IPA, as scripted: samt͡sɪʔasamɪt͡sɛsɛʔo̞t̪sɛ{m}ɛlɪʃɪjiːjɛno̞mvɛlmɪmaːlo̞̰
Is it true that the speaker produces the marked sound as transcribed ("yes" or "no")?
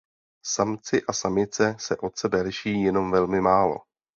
no